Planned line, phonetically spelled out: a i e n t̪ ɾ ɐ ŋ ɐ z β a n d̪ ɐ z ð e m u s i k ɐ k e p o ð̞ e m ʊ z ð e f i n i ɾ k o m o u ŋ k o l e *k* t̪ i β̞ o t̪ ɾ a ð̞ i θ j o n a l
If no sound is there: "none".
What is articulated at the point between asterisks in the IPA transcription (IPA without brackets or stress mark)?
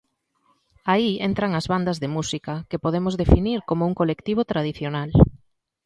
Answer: k